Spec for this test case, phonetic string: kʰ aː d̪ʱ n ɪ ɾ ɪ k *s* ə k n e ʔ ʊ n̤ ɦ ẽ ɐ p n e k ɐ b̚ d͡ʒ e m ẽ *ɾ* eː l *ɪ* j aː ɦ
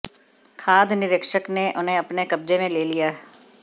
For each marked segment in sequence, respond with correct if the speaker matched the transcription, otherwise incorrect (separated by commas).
incorrect, incorrect, incorrect